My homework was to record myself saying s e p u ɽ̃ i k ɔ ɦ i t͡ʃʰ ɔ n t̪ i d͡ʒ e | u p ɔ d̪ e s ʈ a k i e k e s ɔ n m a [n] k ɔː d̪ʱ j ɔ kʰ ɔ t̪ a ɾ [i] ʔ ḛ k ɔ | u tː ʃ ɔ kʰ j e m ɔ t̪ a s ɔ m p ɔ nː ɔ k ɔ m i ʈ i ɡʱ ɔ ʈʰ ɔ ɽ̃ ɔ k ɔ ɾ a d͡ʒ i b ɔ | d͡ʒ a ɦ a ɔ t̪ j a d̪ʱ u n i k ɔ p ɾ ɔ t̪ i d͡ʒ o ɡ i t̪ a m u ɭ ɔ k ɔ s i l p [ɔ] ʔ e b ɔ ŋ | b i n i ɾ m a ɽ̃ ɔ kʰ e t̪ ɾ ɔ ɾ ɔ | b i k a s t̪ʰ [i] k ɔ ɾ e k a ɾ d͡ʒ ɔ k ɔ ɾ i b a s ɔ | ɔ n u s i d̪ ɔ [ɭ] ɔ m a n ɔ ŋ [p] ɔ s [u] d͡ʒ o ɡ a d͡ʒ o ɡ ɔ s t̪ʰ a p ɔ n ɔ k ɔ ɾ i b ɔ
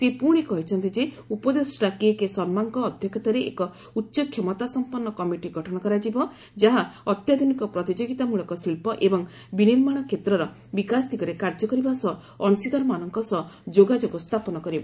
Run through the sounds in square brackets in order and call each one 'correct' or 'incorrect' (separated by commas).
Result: incorrect, incorrect, correct, correct, incorrect, incorrect, incorrect